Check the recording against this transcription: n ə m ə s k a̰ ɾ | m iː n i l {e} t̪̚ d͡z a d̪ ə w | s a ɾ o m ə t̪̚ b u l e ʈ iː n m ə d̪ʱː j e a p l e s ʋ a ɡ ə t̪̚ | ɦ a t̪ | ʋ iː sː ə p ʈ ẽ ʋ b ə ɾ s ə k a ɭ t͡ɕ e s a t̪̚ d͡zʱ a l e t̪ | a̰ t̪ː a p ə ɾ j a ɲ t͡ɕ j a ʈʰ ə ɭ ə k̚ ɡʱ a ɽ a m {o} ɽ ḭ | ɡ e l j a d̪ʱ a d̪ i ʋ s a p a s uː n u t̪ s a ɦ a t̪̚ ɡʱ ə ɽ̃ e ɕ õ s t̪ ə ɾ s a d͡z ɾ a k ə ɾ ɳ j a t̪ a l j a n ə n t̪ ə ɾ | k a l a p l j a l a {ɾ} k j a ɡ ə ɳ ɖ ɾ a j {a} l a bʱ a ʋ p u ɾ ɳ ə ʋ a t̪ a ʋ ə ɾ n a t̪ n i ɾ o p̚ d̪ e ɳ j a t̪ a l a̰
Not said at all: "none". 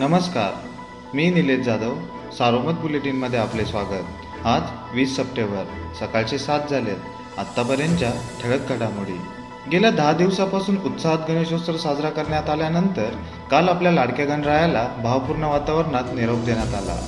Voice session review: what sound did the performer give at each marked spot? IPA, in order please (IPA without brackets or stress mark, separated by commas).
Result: e, u, ɽ, a